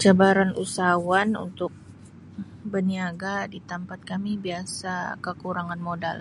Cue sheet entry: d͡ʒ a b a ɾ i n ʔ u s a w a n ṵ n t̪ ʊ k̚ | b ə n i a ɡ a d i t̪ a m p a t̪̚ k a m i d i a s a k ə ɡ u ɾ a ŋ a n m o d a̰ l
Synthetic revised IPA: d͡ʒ a b a ɾ a n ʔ u s a w a n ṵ n t̪ ʊ k̚ | b ə n i a ɡ a d i t̪ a m p a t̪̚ k a m i b i a s a k ə k u ɾ a ŋ a n m o d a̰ l

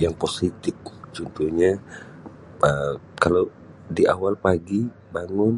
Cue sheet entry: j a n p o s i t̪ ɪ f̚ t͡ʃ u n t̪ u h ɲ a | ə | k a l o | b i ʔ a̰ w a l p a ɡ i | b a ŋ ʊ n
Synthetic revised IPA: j a ŋ p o s i t̪ ɪ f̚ t͡ʃ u n t̪ u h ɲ a | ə | k a l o | d i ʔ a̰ w a l p a ɡ i | b a ŋ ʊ n

